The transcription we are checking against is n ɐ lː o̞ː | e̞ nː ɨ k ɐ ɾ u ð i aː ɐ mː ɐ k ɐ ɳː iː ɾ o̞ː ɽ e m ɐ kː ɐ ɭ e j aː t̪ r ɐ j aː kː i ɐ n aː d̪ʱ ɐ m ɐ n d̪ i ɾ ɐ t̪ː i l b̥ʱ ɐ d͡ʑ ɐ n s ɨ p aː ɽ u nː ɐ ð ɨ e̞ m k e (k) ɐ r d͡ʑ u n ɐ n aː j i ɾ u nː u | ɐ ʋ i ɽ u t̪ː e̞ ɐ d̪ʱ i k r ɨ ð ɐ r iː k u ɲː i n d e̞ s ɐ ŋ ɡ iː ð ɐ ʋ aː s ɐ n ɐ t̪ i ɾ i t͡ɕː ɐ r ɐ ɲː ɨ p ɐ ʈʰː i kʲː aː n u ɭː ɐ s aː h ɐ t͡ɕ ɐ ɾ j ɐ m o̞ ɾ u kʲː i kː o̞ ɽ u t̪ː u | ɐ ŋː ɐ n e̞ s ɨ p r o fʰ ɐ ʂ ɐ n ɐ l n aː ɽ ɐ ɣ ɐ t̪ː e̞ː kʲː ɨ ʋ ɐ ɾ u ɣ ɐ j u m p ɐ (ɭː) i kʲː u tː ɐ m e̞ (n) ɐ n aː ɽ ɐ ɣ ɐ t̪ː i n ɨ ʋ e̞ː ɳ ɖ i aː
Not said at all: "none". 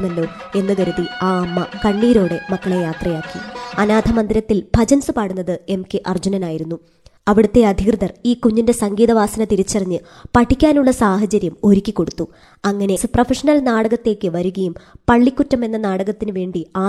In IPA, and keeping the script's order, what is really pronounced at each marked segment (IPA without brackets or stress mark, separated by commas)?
ʔ, ɭː, nː